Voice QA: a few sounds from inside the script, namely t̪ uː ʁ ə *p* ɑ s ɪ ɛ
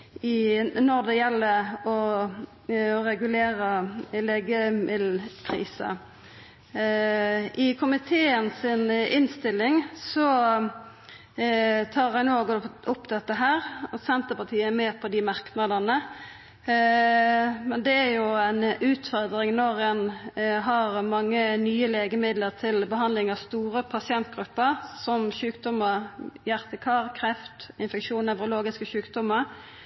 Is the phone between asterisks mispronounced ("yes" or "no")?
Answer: yes